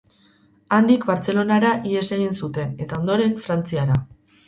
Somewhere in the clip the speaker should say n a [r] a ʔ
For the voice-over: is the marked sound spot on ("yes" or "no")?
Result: no